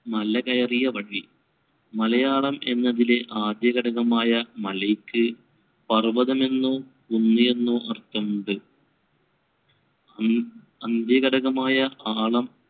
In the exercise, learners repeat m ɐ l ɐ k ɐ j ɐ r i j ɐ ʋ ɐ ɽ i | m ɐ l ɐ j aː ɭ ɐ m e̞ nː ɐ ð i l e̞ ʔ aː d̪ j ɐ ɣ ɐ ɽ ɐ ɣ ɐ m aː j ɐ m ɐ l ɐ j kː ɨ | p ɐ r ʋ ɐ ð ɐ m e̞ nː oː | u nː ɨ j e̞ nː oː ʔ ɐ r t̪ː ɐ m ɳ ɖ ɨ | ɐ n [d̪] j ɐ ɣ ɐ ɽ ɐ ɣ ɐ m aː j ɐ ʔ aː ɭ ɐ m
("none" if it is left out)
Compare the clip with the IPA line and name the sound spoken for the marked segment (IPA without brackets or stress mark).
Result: d̪